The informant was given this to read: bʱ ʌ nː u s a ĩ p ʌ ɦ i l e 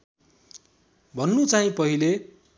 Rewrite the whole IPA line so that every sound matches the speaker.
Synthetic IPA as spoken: bʱ ʌ nː u t͡s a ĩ p ʌ ɦ i l e